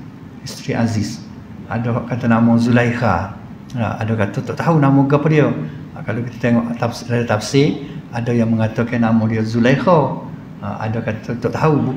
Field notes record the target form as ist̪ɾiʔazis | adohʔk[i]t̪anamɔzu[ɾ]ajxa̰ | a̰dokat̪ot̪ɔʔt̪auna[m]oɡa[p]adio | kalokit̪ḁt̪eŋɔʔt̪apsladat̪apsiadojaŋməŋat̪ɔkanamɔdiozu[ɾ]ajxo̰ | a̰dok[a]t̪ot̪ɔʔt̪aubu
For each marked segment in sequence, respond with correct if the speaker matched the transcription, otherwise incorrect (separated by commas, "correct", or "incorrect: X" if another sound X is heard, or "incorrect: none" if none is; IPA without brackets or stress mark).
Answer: incorrect: a, incorrect: l, correct, correct, incorrect: l, correct